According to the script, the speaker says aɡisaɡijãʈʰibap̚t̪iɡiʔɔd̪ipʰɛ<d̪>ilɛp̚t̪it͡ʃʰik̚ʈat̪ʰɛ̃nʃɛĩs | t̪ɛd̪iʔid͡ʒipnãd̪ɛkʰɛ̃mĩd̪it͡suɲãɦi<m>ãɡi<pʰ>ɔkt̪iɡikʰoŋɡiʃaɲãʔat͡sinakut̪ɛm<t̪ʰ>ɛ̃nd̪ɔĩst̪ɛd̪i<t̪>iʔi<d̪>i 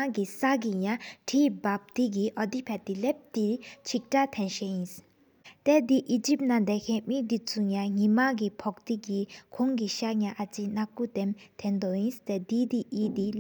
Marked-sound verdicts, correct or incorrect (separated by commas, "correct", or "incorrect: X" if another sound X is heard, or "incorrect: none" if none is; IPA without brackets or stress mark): incorrect: t̪, correct, correct, correct, incorrect: d̪, correct